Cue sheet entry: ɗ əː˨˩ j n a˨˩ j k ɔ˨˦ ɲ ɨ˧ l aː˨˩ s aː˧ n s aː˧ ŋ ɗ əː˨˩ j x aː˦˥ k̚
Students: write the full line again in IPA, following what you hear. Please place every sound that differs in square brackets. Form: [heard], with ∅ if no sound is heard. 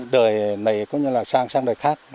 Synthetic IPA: ɗ əː˨˩ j n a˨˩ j k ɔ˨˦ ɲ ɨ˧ l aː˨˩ s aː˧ [ŋ] s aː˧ ŋ ɗ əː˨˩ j x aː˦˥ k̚

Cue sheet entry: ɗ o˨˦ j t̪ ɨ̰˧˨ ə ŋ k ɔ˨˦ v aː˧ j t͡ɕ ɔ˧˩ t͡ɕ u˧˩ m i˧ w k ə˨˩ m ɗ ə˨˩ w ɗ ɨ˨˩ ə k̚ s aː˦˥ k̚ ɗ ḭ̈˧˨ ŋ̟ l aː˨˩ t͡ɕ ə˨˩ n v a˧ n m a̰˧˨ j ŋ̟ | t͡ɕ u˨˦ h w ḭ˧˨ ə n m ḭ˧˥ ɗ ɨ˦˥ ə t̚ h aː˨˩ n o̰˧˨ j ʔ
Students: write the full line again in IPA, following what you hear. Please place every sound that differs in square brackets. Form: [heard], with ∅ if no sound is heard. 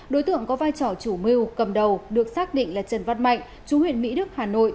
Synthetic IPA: ɗ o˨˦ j t̪ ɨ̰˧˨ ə ŋ k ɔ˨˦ v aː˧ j t͡ɕ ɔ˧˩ t͡ɕ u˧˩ m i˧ w k ə˨˩ m ɗ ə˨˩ w ɗ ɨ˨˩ ə k̚ s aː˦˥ k̚ ɗ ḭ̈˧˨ ŋ̟ l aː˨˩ t͡ɕ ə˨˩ n v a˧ n m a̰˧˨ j ŋ̟ | t͡ɕ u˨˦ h w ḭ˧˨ ə n m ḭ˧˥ ɗ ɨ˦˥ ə [k̚] h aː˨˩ n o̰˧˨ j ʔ

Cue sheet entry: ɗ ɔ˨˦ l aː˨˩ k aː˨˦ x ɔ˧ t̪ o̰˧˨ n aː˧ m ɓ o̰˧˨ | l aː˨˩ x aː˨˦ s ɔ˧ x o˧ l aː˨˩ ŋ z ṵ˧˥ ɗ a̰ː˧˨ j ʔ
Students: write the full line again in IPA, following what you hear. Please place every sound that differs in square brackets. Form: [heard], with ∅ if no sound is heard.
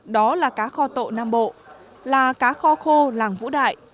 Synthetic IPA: ɗ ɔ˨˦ l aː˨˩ k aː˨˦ x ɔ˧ t̪ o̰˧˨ n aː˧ m ɓ o̰˧˨ | l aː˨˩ [k] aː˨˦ [x] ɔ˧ x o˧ l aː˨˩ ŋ [v] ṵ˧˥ ɗ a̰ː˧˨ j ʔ

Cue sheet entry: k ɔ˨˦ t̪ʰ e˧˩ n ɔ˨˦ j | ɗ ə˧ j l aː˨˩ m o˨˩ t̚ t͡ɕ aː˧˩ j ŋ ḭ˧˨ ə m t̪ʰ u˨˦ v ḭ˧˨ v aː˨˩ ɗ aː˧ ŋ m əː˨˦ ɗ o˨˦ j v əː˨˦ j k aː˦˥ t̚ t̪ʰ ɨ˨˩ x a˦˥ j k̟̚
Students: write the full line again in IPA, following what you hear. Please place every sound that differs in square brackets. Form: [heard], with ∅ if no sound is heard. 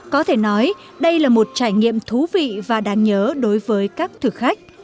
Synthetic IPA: k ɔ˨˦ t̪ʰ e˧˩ n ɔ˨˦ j | ɗ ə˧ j l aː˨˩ m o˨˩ t̚ t͡ɕ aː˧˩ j ŋ ḭ˧˨ ə m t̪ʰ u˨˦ v ḭ˧˨ v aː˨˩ ɗ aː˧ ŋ [ɲ] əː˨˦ ɗ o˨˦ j v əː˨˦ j k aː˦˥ [k̚] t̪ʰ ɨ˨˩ x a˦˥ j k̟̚

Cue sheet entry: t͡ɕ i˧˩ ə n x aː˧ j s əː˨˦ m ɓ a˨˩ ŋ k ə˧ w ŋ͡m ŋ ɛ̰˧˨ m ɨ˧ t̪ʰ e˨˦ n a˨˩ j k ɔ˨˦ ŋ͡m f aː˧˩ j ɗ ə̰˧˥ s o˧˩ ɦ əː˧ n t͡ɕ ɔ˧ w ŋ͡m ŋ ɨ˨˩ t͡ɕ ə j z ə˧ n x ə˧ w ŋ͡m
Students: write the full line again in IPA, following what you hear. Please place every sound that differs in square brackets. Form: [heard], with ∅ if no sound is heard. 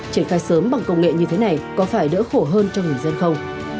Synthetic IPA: t͡ɕ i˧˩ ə n x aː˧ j s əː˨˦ m ɓ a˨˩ ŋ k ə˧ w ŋ͡m ŋ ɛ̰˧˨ [ɲ] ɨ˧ t̪ʰ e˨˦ n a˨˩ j k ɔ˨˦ [∅] f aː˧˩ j ɗ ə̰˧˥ [x] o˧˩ ɦ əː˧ n t͡ɕ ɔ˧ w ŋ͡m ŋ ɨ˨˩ [∅] ə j z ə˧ n x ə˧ w ŋ͡m

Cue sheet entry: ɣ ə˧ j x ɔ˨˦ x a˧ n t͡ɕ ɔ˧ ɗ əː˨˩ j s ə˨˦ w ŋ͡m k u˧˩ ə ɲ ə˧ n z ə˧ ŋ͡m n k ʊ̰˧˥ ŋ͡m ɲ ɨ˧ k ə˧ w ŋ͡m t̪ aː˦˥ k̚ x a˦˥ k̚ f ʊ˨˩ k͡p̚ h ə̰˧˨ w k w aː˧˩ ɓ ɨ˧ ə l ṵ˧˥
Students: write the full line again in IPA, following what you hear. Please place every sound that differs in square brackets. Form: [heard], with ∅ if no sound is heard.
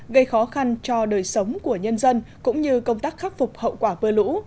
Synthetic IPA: ɣ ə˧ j x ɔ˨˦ x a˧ n t͡ɕ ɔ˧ ɗ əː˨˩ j s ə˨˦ w ŋ͡m k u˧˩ ə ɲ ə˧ n z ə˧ [∅] n k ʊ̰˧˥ ŋ͡m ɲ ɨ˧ k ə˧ w ŋ͡m t̪ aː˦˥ k̚ x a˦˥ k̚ f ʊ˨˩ k͡p̚ h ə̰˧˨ w k w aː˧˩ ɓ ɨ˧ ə l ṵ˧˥

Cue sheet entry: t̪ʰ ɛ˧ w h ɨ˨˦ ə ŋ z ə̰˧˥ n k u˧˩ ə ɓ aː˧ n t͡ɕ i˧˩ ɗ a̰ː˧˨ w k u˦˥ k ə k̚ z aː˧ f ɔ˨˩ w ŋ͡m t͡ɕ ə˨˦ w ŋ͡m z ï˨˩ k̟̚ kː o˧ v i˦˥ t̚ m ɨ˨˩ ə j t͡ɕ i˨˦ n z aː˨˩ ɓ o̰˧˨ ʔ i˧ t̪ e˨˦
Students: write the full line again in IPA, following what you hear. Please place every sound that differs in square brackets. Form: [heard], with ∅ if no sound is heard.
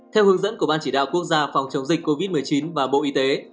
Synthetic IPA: t̪ʰ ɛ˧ w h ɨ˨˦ ə ŋ z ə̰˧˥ n k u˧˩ ə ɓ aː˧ n t͡ɕ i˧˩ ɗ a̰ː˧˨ w k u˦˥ [∅] ə k̚ z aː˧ f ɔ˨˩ w ŋ͡m t͡ɕ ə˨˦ w ŋ͡m z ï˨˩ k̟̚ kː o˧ v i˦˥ t̚ m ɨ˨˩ ə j t͡ɕ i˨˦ n [v] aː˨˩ ɓ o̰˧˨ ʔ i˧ t̪ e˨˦

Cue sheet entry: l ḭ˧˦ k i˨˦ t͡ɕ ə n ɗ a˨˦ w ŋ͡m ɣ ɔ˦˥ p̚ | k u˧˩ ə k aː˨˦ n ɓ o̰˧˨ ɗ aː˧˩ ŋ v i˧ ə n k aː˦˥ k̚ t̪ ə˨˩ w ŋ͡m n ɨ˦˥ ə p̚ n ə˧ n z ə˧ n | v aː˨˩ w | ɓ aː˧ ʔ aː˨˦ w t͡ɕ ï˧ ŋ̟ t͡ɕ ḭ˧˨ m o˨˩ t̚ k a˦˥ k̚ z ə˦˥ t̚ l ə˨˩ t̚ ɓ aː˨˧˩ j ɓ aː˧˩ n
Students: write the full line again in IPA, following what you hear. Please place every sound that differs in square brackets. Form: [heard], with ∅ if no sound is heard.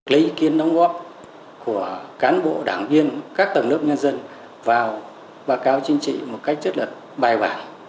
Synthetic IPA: l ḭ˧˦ k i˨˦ [∅] ə n ɗ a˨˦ w ŋ͡m ɣ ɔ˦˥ p̚ | k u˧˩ ə k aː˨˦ n ɓ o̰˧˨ ɗ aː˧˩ ŋ v i˧ ə n k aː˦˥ k̚ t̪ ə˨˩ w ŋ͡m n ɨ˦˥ ə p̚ [ɲ] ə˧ n z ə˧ n | v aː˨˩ w | ɓ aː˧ [k] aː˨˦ w t͡ɕ ï˧ ŋ̟ t͡ɕ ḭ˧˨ m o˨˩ t̚ k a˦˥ k̚ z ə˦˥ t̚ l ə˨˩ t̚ ɓ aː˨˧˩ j ɓ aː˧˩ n

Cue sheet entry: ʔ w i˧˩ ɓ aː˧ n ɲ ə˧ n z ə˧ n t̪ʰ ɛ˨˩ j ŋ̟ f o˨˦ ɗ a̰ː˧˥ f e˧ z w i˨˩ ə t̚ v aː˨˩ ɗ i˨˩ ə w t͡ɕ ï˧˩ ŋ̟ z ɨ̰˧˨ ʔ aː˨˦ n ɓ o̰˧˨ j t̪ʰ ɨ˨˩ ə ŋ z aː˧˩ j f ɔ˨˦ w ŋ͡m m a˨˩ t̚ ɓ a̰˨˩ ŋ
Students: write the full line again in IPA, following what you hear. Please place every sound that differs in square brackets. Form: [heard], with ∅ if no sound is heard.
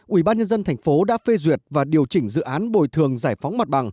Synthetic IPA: ʔ w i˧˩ ɓ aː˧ n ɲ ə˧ n z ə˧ n t̪ʰ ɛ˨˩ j ŋ̟ f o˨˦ ɗ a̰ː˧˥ f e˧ z w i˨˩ ə t̚ v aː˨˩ ɗ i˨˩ ə w t͡ɕ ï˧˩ ŋ̟ z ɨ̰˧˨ ʔ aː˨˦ n ɓ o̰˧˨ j t̪ʰ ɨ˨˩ ə ŋ z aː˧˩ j f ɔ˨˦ w ŋ͡m m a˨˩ t̚ ɓ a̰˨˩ ŋ

